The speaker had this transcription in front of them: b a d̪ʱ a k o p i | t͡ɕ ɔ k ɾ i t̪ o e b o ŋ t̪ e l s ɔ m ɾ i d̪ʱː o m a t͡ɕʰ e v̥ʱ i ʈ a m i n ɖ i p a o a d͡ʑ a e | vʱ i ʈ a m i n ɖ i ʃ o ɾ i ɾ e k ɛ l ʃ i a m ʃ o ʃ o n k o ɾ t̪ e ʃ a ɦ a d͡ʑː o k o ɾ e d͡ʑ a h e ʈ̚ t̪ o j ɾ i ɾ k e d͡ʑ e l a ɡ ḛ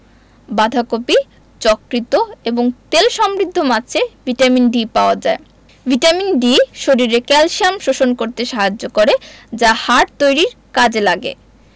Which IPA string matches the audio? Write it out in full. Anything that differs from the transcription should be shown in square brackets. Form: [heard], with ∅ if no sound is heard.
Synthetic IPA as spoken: b a d̪ʱ a k o p i | t͡ɕ ɔ k ɾ i t̪ o e b o ŋ t̪ e l [ʃ] ɔ m ɾ i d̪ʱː o m a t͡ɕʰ e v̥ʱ i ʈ a m i n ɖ i p a o a d͡ʑ a e | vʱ i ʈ a m i n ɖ i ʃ o ɾ i ɾ e k ɛ l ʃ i a m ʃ o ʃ o n k o ɾ t̪ e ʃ a ɦ a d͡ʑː o k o ɾ e d͡ʑ a h [a] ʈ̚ t̪ o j ɾ i ɾ k [a] d͡ʑ e l a ɡ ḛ